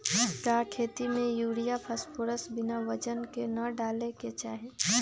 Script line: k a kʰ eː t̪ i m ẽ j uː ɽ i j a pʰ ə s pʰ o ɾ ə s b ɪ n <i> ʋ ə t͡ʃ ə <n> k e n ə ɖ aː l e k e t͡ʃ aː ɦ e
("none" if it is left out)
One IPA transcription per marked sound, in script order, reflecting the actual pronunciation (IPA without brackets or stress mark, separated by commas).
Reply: a, n